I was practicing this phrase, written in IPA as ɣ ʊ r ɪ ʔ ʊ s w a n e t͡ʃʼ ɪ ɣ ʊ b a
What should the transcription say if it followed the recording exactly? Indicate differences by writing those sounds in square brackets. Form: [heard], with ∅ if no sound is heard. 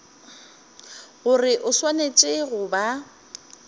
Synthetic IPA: ɣ ʊ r ɪ ʔ ʊ s w a n e t͡ʃʼ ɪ ɣ ʊ b a